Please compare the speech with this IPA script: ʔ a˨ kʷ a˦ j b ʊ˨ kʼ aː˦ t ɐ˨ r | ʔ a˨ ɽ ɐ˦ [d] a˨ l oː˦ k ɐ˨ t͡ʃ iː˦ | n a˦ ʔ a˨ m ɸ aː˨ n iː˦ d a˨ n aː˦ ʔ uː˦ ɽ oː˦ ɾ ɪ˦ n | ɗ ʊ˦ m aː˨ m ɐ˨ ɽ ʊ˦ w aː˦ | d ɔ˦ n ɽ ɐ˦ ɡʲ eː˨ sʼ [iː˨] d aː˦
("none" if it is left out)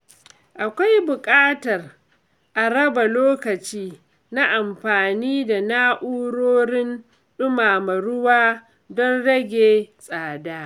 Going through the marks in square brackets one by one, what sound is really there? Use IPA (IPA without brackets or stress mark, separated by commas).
b, aː˨